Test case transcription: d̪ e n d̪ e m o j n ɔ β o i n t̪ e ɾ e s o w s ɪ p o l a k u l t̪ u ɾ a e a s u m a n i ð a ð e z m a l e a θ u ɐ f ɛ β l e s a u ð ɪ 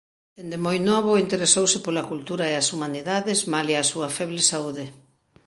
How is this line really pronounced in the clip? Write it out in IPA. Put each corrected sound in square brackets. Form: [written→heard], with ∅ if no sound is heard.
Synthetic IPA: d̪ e n d̪ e m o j n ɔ β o i n t̪ e ɾ e s o w s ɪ p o l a k u l t̪ u ɾ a e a s u m a n i ð a ð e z m a l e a [θ→s] u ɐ f ɛ β l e s a u ð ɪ